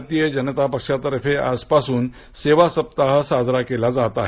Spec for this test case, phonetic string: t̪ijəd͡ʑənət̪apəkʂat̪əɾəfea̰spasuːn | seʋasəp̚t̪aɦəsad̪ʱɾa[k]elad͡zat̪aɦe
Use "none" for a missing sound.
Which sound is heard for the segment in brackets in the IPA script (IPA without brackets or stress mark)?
k